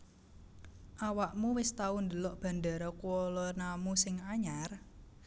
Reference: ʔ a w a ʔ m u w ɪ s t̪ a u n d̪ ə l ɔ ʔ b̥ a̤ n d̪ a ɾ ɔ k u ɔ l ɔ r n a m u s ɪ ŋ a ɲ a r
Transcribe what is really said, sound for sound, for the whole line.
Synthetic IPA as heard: ʔ a w a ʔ m u w ɪ s t̪ a u n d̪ ə l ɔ ʔ b̥ a̤ n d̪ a ɾ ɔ k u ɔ l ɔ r n a m u s ɪ ŋ a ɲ a r